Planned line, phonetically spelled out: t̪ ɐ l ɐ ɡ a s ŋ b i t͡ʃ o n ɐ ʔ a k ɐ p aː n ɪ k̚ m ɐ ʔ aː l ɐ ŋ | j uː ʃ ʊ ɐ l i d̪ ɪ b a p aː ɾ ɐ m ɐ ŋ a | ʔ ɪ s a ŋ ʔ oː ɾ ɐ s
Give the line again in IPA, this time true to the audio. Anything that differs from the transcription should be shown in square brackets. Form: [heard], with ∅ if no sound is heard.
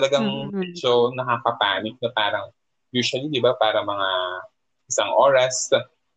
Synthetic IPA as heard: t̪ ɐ l ɐ ɡ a [∅] ŋ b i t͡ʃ o n ɐ [k] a k ɐ p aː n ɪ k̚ [n] ɐ [p] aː [ɾ] ɐ ŋ | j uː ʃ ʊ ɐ l i d̪ ɪ b a p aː ɾ ɐ m ɐ ŋ a | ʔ ɪ s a ŋ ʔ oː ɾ ɐ s